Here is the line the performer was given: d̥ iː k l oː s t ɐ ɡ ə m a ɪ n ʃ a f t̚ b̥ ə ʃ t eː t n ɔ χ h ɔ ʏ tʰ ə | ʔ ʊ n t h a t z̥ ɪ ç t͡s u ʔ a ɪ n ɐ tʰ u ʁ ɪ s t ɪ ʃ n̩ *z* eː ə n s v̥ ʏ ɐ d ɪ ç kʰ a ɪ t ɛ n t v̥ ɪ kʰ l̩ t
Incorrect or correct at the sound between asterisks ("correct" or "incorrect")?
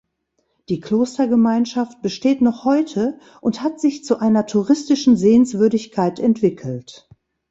correct